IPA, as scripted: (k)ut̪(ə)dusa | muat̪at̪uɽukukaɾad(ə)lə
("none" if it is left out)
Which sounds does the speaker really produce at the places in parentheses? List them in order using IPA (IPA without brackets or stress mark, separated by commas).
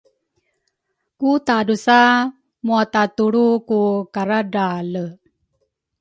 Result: k, a, a